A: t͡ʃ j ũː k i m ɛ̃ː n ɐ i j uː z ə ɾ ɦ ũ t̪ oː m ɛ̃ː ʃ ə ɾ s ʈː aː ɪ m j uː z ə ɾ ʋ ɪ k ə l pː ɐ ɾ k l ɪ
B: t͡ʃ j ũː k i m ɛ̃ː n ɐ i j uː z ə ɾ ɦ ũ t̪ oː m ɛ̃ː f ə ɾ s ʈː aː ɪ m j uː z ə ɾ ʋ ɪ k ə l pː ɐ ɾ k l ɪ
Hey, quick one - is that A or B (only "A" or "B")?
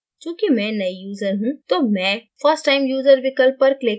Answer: B